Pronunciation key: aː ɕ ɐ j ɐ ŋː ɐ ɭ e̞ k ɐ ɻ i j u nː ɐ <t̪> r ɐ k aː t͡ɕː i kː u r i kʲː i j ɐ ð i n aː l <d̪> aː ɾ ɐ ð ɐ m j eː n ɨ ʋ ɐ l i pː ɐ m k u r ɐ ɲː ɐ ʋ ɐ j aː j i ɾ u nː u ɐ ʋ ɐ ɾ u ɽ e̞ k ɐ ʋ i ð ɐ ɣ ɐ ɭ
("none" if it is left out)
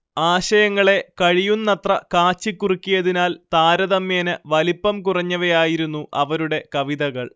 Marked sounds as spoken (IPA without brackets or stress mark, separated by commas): t̪, t̪